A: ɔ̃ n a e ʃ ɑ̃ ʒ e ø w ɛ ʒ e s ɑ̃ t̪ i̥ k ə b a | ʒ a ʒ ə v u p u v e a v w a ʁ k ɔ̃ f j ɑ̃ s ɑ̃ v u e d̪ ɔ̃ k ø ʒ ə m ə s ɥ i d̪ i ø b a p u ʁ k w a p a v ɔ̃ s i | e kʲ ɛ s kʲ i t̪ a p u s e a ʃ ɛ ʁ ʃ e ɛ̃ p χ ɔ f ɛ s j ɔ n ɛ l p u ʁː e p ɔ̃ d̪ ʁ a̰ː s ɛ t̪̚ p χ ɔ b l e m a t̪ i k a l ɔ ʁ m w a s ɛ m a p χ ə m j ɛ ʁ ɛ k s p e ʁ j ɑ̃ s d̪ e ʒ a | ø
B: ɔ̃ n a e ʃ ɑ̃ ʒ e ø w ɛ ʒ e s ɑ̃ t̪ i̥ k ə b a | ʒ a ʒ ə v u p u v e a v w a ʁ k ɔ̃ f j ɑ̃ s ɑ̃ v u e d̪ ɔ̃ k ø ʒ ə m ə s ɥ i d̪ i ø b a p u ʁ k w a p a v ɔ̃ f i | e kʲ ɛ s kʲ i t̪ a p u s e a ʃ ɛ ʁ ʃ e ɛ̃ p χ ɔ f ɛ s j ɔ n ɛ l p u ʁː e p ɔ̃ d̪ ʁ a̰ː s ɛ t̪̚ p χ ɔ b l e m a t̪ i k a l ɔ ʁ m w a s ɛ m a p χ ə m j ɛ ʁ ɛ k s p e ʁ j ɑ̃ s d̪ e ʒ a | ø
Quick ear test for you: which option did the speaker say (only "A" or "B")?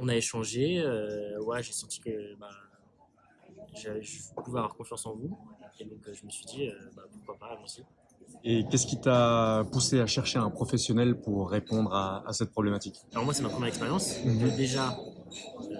A